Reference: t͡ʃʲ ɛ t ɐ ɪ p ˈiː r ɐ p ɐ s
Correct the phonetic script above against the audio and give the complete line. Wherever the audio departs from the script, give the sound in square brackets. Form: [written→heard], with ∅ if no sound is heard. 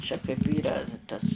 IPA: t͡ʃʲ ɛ [t→k] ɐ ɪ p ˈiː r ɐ [p→t] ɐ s